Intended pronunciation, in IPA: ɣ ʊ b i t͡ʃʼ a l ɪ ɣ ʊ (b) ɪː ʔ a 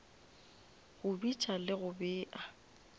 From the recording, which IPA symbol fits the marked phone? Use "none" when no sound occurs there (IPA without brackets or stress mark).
b